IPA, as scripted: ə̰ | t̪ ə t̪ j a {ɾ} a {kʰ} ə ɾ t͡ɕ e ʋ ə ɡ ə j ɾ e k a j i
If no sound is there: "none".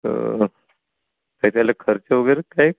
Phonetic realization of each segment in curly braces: l, kʰ

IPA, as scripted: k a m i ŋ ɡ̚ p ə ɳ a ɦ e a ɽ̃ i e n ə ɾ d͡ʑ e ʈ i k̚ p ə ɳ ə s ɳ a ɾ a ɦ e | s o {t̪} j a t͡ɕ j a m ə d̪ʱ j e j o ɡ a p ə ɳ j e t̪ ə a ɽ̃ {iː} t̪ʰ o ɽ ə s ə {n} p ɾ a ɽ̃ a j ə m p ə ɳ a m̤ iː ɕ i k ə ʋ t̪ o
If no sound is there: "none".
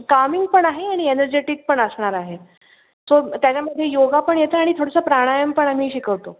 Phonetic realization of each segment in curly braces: t̪, i, none

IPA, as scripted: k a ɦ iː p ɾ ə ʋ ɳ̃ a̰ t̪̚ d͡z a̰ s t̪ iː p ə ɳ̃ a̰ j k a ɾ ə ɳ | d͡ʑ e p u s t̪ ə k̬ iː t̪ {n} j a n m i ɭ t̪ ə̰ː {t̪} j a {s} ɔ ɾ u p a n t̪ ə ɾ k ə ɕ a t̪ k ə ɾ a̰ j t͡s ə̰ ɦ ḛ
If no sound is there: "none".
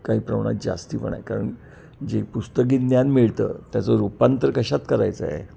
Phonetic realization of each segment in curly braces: n, t̪, t͡s

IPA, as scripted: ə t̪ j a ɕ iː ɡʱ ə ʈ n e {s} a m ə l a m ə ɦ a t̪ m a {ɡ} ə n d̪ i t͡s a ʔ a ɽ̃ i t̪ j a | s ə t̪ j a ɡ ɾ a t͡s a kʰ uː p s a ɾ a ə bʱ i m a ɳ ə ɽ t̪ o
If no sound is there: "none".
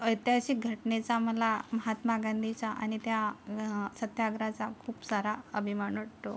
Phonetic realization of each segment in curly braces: t͡s, ɡ

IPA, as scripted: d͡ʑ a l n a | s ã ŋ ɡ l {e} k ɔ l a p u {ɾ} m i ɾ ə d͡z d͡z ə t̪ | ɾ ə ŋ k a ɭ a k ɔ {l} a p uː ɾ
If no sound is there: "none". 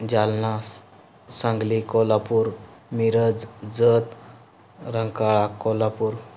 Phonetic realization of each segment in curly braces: i, ɾ, l

